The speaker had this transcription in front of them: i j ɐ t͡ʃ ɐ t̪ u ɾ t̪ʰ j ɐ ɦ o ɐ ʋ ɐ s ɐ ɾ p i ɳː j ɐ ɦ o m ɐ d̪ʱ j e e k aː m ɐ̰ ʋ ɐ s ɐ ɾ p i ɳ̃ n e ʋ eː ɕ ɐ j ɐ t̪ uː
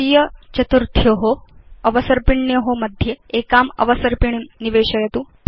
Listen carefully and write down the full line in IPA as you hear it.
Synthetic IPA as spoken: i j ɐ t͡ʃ ɐ t̪ u ɾ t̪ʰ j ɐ ɦ o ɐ ʋ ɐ s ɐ ɾ p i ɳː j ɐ ɦ o m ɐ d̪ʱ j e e k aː m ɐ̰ ʋ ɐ s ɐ ɾ p i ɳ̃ n i ʋ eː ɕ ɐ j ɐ t̪ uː